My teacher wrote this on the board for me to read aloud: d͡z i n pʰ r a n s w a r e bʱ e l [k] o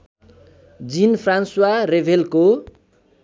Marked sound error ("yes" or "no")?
no